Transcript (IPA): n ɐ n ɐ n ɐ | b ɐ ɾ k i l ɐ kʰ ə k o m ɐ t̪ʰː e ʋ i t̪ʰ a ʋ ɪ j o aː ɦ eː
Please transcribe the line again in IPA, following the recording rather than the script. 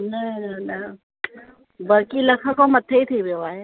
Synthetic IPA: n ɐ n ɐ n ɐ | b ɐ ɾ k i l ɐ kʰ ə k o m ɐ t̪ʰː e i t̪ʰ i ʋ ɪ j o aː ɦ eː

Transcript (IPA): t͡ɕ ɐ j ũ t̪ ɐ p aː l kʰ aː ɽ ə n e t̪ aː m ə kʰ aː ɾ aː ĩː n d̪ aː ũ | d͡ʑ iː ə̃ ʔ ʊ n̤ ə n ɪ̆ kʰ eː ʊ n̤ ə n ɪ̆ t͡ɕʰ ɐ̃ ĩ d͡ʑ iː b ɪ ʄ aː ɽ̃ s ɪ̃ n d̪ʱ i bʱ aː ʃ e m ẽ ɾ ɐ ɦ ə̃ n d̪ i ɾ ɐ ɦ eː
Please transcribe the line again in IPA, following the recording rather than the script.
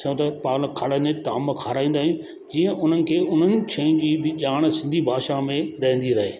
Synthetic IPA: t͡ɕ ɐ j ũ t̪ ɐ p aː l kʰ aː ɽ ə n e t̪ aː m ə kʰ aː ɾ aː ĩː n d̪ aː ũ | d͡ʑ iː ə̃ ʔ ʊ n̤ ə n ɪ̆ kʰ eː ʊ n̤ ə n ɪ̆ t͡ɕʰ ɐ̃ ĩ d͡ʑ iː b ɪ ʄ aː ɽ̃ s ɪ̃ n d̪ʱ i bʱ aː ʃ a m ẽ ɾ ɐ ɦ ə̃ n d̪ i ɾ ɐ ɦ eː

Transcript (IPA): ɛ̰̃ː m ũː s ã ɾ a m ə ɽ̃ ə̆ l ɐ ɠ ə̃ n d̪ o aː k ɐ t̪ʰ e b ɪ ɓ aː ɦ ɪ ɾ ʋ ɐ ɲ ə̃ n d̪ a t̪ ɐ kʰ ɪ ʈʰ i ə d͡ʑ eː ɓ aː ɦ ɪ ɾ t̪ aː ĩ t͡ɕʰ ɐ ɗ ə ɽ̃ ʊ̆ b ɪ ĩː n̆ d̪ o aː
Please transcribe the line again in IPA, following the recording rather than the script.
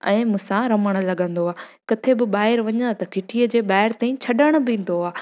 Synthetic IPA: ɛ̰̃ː m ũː s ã ɾ ɐ m ə ɽ̃ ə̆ l ɐ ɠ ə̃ n d̪ o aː k ɐ t̪ʰ e b ɪ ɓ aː ɦ ɪ ɾ ʋ ɐ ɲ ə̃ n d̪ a t̪ ɐ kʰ ɪ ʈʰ i ə d͡ʑ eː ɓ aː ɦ ɪ ɾ t̪ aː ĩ t͡ɕʰ ɐ ɗ ə ɽ̃ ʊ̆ b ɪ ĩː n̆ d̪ o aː

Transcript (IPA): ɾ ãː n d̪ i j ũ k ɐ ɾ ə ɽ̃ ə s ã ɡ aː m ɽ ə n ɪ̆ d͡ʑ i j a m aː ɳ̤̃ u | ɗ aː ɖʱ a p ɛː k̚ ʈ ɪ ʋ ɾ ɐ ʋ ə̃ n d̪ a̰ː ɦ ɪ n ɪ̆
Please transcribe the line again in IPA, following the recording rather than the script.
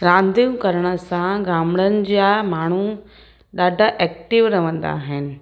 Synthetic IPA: ɾ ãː n d̪ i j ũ k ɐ ɾ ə ɽ̃ ə s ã ɡ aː m ɽ ə n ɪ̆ d͡ʑ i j a m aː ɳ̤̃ u | ɗ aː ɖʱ a ʔ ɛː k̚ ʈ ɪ ʋ ɾ ɐ ʋ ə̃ n d̪ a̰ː ɦ ɪ n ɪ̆

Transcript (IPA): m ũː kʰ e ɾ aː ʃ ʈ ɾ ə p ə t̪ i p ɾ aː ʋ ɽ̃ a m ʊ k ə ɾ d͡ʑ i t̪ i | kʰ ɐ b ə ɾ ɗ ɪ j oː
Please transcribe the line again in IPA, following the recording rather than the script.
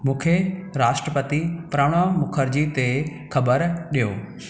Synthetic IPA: m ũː kʰ e ɾ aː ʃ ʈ ɾ ə p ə t̪ i p ɾ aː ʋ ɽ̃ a m ʊ kʰ ə ɾ d͡ʑ i t̪ e | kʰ ɐ b ə ɾ ɗ i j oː

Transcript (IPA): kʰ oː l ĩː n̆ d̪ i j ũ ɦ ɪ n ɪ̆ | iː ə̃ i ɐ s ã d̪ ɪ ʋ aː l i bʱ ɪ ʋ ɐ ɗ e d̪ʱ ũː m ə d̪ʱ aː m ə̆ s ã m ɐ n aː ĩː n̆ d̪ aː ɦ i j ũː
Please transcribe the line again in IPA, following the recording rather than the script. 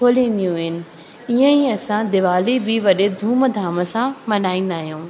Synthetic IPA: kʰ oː l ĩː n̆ d̪ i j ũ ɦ ɪ n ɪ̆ | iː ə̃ i ɐ s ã d̪ ɪ ʋ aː l i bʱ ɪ ʋ ɐ ɗ e d̪ʱ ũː m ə d̪ʱ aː m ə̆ s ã m ɐ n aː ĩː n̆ d̪ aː ɦ i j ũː

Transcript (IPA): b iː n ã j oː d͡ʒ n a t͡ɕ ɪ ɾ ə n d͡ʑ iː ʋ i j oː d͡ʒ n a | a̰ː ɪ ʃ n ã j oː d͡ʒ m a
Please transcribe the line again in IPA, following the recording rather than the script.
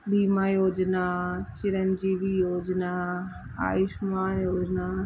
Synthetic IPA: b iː m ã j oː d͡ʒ n a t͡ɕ ɪ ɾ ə n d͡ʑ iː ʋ i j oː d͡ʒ n a | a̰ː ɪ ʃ m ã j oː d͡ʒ n a

